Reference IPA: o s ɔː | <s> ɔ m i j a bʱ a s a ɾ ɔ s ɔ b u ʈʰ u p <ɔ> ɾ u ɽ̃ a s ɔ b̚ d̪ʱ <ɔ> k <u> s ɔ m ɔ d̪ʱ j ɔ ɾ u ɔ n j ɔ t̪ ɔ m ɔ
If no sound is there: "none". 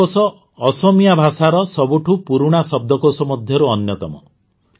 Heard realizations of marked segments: s, u, ɔ, o

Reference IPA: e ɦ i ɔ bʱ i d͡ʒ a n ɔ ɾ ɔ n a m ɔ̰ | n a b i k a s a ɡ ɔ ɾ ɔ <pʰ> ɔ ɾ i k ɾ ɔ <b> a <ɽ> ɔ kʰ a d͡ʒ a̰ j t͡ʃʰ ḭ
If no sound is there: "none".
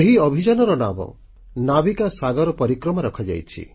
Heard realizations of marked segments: p, m, ɾ

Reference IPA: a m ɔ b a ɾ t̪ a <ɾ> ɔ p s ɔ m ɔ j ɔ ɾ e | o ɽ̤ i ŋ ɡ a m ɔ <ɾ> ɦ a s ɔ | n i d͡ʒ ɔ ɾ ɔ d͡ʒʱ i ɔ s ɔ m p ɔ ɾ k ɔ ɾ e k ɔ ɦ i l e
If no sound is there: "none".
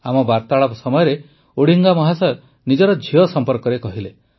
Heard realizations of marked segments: ɭ, none

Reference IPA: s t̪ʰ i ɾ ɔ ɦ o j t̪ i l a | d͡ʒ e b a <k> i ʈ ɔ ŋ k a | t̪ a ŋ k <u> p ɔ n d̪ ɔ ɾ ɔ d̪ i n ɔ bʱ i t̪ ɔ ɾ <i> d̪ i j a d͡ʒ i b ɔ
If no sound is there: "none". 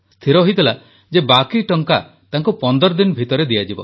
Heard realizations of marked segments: k, u, e

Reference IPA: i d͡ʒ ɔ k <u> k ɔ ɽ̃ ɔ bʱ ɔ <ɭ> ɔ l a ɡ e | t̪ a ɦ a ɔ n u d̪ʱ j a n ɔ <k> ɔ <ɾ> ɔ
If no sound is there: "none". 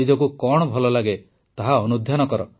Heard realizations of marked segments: u, l, k, ɾ

